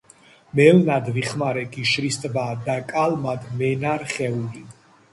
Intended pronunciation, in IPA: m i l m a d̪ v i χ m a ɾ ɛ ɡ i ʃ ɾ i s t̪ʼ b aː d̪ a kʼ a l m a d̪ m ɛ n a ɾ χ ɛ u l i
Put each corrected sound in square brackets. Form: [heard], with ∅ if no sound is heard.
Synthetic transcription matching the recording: m [ɛ] l [n] a d̪ v i χ m a ɾ ɛ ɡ i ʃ ɾ i s t̪ʼ b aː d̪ a kʼ a l m a d̪ m ɛ n a ɾ χ ɛ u l i